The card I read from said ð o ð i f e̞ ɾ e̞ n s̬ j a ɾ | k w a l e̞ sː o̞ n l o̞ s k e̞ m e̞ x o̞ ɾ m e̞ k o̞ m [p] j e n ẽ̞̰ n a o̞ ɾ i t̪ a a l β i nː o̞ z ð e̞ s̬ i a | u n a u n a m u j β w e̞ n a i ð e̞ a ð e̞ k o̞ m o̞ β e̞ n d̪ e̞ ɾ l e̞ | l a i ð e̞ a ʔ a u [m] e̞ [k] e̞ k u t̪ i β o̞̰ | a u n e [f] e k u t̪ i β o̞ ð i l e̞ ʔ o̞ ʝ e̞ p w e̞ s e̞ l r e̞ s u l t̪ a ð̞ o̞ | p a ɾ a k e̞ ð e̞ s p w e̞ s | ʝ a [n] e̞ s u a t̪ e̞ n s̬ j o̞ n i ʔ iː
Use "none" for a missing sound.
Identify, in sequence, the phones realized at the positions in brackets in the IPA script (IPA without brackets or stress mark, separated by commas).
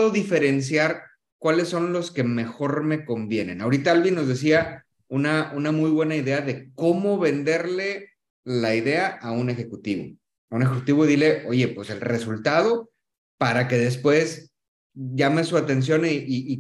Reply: b, n, x, x, m